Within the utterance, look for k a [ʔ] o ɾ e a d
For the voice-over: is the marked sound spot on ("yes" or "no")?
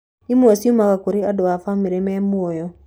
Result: no